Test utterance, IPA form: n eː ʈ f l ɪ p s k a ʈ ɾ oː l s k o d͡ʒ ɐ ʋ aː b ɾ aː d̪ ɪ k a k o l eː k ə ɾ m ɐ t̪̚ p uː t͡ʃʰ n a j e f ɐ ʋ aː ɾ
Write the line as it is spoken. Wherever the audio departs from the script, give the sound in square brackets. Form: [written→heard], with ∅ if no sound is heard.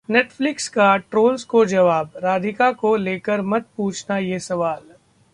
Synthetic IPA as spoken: n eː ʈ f l ɪ [p→k] s k a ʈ ɾ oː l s k o d͡ʒ ɐ ʋ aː b ɾ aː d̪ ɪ k a k o l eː k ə ɾ m ɐ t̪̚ p uː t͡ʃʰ n a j e [f→s] ɐ ʋ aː [ɾ→l]